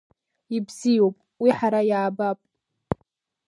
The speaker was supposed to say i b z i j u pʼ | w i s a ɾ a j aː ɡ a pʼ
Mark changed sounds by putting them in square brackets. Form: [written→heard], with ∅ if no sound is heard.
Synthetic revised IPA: i b z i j [u→o] pʼ | w i [s→ħ] a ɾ a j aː [ɡ→b] a pʼ